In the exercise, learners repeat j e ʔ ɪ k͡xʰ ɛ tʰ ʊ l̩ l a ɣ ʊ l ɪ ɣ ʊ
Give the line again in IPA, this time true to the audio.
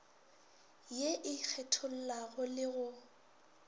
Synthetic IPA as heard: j e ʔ ɪ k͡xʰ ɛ tʰ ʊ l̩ l a ɣ ʊ l ɪ ɣ ʊ

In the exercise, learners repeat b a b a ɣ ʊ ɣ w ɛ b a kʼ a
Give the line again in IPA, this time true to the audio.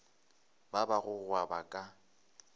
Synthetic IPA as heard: b a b a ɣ ʊ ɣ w a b a kʼ a

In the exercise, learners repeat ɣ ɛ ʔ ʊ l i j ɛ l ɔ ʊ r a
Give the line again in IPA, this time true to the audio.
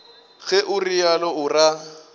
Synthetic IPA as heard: ɣ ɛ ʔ ʊ r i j a l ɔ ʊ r a

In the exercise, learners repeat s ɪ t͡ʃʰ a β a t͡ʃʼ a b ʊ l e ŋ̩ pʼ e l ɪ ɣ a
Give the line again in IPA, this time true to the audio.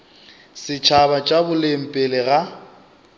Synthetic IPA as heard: s ɪ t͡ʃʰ a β a t͡ʃʼ a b ʊ l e m̩ pʼ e l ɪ ɣ a

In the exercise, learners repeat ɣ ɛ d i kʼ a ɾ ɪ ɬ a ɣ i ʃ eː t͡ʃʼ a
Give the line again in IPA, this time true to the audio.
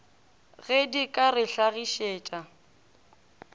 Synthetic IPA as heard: ɣ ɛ d i kʼ a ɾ ɪ ɬ a ɣ i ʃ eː t͡ʃʼ a

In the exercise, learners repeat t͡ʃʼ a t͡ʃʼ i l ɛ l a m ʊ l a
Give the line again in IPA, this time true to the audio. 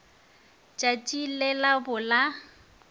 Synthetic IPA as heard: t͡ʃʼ a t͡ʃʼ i l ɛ l a b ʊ l a

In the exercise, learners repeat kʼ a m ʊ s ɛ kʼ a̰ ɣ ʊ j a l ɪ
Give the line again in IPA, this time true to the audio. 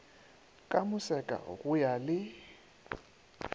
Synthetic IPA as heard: kʼ a m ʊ s ɛ kʼ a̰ ɣ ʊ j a l ɪ

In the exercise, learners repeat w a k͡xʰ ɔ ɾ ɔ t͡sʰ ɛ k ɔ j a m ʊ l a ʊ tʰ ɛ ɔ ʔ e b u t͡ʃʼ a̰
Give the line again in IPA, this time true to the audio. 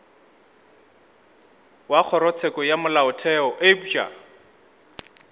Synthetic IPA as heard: w a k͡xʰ ɔ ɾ ɔ t͡sʰ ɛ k ɔ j a m ʊ l a ʊ tʰ ɛ ɔ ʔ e b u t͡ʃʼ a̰

